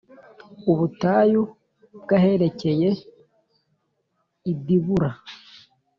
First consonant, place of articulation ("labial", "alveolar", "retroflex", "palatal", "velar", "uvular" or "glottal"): labial